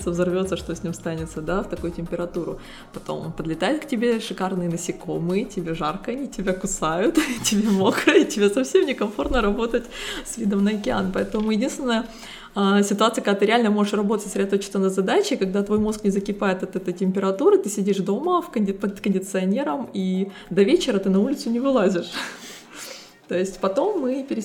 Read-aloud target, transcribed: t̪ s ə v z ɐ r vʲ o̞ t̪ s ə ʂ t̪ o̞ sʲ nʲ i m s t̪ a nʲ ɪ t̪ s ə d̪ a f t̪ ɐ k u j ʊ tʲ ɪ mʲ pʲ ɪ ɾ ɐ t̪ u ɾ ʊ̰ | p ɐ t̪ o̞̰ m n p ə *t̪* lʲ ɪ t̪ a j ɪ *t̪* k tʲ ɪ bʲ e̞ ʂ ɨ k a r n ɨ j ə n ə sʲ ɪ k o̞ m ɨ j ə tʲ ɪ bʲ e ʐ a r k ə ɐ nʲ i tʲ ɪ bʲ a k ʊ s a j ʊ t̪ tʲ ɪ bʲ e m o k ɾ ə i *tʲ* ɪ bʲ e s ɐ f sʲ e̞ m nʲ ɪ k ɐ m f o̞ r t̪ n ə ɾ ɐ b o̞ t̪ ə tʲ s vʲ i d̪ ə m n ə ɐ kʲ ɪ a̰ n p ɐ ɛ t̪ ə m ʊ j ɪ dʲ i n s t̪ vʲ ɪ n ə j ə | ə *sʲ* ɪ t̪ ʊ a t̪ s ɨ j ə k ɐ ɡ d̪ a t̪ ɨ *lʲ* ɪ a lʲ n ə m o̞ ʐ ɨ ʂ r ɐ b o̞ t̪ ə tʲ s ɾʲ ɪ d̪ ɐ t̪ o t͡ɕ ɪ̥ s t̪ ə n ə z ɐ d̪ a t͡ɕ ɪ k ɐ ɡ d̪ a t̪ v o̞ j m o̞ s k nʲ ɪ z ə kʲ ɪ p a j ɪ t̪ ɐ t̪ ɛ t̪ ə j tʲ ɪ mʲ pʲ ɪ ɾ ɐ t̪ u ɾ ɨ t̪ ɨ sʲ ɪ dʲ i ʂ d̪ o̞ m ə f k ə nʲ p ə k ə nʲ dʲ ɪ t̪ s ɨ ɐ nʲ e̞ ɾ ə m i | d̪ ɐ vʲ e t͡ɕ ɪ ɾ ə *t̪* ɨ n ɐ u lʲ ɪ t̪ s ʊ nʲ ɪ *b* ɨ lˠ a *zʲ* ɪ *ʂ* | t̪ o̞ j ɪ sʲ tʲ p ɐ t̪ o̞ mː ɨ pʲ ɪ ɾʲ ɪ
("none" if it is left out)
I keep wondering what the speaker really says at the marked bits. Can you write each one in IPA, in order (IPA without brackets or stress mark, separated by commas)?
d̪, t̪, tʲ, sʲ, ɾʲ, t̪, v, zʲ, ʂ